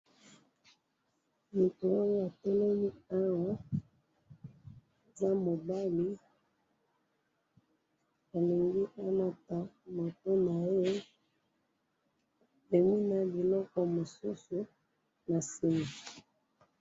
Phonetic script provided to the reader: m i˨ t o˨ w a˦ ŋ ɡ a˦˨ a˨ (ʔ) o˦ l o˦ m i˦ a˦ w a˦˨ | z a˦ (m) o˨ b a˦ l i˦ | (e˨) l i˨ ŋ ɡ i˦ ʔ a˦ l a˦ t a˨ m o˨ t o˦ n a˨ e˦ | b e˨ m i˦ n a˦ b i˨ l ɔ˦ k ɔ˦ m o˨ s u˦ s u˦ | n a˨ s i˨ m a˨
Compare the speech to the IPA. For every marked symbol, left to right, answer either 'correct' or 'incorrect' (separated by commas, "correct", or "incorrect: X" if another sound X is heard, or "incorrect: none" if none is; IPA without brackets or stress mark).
incorrect: t, correct, incorrect: a˨